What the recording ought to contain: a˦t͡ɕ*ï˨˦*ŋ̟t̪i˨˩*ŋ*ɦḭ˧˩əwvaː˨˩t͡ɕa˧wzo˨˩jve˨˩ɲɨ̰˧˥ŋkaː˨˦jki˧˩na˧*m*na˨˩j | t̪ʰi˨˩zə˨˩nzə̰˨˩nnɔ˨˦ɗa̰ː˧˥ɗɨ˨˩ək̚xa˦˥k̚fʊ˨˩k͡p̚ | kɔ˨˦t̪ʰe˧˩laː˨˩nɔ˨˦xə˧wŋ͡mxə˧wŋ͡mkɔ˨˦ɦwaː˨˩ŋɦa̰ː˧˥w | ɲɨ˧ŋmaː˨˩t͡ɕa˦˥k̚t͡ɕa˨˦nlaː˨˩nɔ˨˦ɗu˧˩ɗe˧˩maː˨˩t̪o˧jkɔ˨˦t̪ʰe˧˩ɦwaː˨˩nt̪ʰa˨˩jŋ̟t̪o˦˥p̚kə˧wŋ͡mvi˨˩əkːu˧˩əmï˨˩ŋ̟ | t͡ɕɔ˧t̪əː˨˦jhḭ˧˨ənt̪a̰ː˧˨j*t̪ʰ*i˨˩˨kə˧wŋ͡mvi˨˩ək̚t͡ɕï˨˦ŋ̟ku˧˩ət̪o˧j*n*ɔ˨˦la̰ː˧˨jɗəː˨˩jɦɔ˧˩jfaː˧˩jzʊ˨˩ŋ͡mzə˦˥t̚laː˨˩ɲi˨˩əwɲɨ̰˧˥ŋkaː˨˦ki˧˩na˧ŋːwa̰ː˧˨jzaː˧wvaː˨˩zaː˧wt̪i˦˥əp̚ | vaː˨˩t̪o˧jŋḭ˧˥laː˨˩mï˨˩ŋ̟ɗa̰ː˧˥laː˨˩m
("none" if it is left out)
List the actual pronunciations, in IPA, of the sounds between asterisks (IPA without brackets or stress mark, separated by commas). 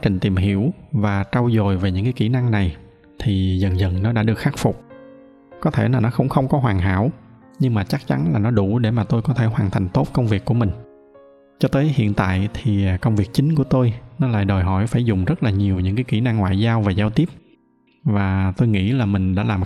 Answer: ï˨˩, m, ŋ, t̪ʰ, n